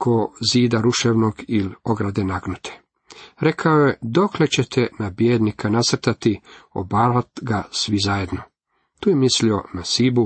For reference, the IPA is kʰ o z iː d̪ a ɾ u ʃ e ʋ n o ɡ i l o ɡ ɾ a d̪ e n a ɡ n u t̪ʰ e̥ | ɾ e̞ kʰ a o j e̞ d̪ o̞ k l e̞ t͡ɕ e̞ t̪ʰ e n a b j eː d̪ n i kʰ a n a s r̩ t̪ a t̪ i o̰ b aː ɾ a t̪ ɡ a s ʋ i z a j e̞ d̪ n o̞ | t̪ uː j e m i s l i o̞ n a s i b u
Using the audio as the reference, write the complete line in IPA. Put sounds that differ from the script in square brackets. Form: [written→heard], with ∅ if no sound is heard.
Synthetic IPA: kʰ o z iː d̪ a ɾ u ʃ e ʋ n o ɡ i l o ɡ ɾ a d̪ e n a ɡ n u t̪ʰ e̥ | ɾ e̞ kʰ a o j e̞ d̪ o̞ k l e̞ t͡ɕ e̞ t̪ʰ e n a b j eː d̪ n i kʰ a n a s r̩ t̪ a t̪ i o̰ b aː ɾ a t̪ ɡ a s ʋ i z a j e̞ d̪ n o̞ | t̪ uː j e m i s l i o̞ n a s i b u